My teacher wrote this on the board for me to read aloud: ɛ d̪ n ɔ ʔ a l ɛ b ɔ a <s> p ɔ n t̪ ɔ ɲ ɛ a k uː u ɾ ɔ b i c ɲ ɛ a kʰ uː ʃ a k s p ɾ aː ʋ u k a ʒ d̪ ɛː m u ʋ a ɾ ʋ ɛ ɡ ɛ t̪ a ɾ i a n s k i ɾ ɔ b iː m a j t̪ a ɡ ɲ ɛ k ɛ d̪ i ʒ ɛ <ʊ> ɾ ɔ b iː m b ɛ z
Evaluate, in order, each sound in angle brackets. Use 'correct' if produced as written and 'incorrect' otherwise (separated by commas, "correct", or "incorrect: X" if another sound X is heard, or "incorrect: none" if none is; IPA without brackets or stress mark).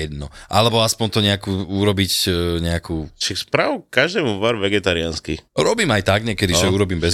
correct, incorrect: u